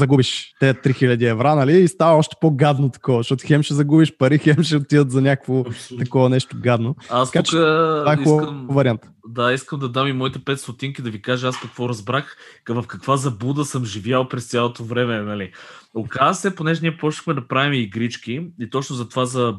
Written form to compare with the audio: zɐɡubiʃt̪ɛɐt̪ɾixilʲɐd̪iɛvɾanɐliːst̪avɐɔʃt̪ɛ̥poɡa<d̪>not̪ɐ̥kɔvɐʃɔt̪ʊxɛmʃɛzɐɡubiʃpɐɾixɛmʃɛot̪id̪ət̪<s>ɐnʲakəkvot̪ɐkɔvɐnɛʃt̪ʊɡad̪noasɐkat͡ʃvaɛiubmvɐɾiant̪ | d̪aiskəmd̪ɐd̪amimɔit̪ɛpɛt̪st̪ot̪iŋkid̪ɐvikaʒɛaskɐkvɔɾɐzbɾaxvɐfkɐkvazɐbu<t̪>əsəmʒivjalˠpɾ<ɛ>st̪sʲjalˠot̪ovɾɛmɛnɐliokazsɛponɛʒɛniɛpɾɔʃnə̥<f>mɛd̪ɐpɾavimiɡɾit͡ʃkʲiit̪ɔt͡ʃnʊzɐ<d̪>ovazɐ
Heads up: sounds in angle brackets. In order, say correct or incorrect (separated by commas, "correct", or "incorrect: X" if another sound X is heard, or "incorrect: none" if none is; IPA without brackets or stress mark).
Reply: correct, incorrect: z, incorrect: d̪, correct, incorrect: x, incorrect: t̪